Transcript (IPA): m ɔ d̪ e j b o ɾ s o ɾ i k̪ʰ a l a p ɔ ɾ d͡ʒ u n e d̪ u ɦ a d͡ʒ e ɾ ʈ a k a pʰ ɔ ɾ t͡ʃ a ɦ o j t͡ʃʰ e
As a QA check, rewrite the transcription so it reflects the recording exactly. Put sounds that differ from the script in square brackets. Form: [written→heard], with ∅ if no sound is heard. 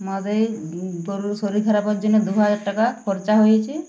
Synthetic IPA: m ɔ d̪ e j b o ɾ s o ɾ i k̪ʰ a [l→ɾ] a p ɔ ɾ d͡ʒ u n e d̪ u ɦ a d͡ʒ [e→a] ɾ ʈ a k a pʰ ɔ ɾ t͡ʃ a ɦ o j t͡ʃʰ [e→i]